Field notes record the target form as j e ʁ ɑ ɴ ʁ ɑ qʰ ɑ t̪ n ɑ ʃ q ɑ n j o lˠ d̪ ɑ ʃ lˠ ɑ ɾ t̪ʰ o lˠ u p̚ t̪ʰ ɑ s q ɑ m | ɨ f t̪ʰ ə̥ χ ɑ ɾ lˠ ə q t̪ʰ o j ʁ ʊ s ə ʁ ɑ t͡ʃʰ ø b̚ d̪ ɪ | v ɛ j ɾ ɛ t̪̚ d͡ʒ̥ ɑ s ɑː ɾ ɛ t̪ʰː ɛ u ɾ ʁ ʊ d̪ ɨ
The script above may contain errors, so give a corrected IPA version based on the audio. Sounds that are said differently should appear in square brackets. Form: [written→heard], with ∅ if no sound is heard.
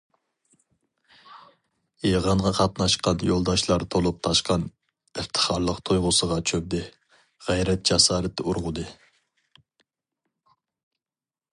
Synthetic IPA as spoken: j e ʁ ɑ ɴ ʁ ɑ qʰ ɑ t̪ n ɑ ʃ q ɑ n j o lˠ d̪ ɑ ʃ lˠ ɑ ɾ t̪ʰ o lˠ u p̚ t̪ʰ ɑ [s→ʃ] q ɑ [m→n] | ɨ f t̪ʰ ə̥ χ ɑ ɾ lˠ ə q t̪ʰ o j ʁ ʊ s ə ʁ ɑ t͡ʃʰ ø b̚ d̪ ɪ | [v→ʁ] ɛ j ɾ ɛ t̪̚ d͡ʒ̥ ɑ s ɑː ɾ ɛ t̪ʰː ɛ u ɾ ʁ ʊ d̪ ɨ